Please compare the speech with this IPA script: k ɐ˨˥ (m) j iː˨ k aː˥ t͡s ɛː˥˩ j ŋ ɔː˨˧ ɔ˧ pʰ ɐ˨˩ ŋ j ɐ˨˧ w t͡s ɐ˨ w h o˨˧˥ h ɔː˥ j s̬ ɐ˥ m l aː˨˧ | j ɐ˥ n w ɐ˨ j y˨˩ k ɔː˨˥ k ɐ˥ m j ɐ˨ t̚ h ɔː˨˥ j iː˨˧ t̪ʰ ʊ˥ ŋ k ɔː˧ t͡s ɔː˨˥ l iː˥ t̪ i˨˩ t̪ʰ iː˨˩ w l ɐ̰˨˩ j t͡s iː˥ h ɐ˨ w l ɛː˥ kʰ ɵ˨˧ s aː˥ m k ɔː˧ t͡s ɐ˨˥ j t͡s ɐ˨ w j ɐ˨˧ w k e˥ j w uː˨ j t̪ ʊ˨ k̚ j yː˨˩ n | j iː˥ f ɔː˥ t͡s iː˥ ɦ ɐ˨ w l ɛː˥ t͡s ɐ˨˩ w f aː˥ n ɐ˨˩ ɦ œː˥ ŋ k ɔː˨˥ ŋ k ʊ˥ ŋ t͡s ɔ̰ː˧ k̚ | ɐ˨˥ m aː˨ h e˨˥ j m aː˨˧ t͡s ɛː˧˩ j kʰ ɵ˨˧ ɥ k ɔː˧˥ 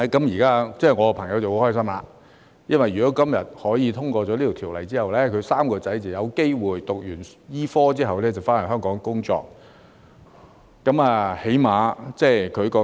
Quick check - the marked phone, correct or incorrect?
correct